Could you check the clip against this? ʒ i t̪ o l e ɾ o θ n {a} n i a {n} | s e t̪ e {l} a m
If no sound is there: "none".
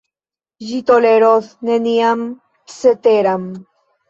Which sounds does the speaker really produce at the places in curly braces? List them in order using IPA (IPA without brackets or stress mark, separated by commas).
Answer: e, m, ɾ